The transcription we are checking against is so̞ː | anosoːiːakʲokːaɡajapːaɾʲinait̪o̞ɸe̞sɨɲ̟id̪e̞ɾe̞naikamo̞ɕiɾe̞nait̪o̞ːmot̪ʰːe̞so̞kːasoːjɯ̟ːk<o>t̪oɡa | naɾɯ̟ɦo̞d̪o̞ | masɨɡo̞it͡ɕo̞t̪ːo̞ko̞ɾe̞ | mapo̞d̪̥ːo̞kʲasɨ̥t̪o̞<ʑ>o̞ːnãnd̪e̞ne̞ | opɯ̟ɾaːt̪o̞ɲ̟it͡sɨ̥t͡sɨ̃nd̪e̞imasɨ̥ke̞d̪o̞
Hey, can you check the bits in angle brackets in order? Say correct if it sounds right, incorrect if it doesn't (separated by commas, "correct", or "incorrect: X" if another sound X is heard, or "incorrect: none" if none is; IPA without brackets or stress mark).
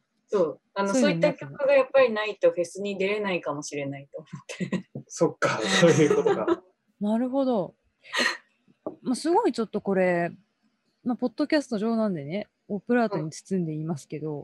correct, correct